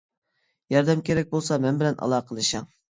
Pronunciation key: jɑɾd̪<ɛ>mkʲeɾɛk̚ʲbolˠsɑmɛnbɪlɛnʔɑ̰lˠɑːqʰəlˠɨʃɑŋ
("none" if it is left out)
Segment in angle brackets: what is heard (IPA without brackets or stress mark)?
ɛ